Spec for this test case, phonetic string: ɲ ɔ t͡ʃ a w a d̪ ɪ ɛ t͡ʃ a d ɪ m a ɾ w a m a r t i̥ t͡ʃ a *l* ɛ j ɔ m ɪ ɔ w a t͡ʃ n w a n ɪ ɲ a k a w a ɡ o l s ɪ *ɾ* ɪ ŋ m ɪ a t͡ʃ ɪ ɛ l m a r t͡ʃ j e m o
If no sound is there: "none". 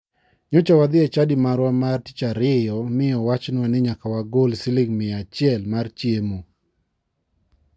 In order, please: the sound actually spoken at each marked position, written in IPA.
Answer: ɾ, l

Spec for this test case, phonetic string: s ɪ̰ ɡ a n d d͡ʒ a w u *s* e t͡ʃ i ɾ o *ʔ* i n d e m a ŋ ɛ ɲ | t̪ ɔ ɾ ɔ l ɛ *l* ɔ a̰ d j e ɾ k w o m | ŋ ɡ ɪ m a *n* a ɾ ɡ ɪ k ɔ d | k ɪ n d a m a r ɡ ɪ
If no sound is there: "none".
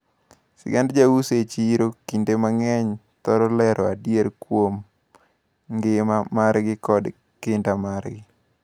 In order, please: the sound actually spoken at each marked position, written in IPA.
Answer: s, k, ɾ, m

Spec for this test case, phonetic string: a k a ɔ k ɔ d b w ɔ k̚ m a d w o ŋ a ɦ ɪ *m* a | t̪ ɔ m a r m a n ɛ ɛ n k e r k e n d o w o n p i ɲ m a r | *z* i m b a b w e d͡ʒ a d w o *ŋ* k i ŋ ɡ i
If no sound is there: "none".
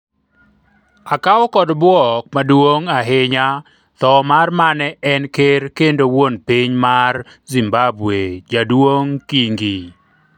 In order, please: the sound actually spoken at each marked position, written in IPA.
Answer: ɲ, z, ŋ

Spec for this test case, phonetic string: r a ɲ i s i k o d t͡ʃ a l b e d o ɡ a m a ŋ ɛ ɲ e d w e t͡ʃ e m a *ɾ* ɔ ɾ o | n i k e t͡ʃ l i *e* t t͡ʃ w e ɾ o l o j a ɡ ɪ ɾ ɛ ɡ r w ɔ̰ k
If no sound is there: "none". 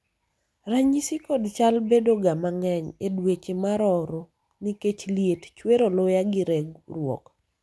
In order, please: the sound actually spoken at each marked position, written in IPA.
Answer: ɾ, e

